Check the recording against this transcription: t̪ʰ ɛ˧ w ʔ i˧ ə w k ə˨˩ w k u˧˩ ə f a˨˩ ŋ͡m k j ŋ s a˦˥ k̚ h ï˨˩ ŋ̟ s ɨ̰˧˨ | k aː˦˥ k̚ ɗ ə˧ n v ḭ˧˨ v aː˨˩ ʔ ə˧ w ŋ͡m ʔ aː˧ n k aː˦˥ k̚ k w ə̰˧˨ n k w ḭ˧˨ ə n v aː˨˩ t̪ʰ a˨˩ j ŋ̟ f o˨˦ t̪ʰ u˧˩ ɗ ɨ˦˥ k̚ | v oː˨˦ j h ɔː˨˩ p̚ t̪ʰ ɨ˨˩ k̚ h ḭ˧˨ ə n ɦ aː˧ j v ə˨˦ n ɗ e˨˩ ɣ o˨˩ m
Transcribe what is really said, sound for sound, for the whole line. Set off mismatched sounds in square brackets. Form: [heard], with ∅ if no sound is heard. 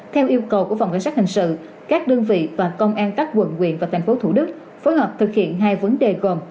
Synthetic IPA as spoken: t̪ʰ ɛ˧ w ʔ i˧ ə w k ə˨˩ w k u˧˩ ə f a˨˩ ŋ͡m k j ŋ s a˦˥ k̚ h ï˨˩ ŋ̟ s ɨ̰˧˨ | k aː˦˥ k̚ ɗ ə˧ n v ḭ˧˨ v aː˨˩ [k] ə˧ w ŋ͡m ʔ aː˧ n k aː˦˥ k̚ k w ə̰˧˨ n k w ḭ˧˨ ə n v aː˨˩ t̪ʰ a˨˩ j ŋ̟ f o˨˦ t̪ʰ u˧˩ ɗ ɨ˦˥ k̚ | [f] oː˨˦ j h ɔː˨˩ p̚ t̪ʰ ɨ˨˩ k̚ h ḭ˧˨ ə n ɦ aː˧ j v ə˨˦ n ɗ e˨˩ ɣ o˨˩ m